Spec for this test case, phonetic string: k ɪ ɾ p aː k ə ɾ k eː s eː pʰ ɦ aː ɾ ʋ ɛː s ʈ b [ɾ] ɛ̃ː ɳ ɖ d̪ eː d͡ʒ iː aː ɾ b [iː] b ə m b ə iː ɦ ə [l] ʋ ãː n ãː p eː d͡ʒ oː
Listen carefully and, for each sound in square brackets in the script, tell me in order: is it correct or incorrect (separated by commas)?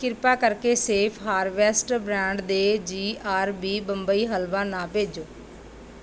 correct, correct, correct